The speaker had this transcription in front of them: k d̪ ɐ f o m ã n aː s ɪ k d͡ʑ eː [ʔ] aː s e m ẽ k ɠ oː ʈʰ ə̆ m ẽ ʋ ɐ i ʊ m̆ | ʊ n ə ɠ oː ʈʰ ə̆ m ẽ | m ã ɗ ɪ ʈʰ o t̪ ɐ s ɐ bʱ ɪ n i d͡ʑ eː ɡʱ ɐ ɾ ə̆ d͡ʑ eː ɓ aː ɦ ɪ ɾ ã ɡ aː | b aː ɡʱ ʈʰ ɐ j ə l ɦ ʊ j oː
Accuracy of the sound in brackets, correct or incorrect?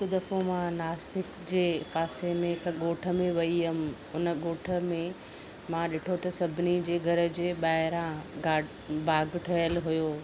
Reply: incorrect: p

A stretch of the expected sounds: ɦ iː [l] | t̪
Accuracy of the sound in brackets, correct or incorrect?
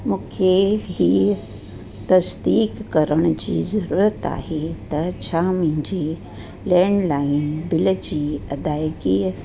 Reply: incorrect: none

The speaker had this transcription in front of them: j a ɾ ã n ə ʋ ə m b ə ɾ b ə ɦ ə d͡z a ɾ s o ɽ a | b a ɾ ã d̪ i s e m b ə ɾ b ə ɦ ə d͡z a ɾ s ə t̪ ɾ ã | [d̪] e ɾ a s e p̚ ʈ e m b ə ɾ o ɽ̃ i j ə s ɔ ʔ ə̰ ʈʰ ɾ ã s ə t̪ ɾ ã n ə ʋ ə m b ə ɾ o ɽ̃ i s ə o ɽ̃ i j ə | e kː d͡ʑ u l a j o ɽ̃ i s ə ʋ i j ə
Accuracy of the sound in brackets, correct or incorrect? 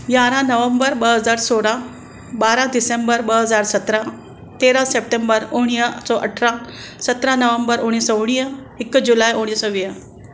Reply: incorrect: t̪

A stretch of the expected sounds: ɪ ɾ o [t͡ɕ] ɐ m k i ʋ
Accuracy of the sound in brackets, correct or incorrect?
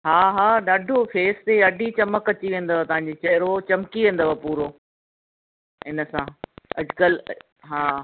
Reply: correct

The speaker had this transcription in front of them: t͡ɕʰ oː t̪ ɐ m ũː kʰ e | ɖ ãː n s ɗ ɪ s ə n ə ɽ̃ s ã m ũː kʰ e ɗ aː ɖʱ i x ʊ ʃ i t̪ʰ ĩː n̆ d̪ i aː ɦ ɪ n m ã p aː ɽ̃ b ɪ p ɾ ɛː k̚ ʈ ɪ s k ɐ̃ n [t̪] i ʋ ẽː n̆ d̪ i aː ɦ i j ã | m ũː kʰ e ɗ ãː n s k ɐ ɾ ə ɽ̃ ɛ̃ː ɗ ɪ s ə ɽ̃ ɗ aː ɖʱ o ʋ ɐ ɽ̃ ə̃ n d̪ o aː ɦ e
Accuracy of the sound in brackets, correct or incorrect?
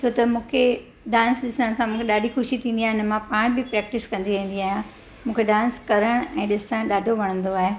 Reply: incorrect: d̪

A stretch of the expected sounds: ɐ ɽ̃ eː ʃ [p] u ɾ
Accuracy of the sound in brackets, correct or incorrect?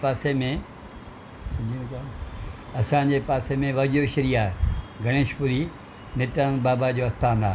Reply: correct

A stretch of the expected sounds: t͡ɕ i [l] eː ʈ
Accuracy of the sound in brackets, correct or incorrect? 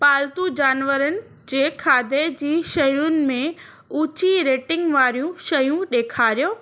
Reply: incorrect: ɾ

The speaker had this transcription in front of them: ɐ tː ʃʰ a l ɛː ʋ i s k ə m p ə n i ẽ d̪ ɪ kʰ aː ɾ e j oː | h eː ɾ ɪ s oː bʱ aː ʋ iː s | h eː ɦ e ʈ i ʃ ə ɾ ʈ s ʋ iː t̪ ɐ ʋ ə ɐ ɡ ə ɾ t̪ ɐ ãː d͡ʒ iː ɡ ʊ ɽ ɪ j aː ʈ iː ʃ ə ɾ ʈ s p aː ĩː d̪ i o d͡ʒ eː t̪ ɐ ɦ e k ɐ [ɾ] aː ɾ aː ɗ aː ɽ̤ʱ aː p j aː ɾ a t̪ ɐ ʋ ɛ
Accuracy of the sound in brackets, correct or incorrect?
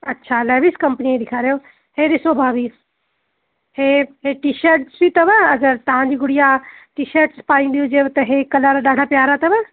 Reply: incorrect: l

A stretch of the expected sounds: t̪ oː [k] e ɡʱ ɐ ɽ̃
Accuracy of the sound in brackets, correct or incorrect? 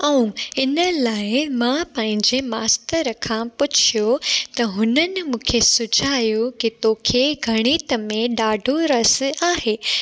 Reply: incorrect: kʰ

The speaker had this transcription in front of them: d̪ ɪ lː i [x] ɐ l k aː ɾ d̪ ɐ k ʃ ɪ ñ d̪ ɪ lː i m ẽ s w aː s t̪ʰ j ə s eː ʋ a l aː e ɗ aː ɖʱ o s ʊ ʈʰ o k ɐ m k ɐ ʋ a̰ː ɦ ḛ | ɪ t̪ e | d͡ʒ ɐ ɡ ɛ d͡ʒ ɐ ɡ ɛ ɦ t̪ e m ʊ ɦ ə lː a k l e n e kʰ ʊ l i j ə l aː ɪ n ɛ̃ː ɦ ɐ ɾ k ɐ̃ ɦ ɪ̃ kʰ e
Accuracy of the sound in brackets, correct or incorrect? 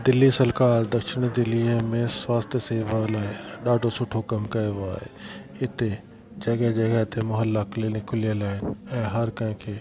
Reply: incorrect: s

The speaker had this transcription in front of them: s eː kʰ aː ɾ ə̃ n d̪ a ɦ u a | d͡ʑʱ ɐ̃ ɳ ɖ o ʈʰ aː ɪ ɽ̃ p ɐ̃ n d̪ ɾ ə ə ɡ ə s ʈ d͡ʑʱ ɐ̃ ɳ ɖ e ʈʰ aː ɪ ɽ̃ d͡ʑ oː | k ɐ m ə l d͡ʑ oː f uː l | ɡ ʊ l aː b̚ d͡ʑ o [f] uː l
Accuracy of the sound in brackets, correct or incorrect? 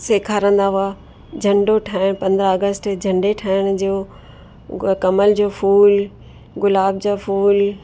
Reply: correct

